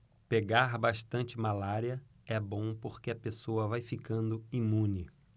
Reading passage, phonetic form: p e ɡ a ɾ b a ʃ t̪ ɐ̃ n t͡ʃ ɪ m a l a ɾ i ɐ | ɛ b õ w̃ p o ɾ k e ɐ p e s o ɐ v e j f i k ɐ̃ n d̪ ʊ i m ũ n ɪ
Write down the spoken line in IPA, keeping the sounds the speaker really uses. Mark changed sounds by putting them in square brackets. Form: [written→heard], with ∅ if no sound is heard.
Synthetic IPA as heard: p e ɡ a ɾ b a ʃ t̪ ɐ̃ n t͡ʃ ɪ m a l a ɾ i ɐ | ɛ b õ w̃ p o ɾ k e ɐ p e s o ɐ v [e→a] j f i k ɐ̃ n d̪ ʊ i m ũ n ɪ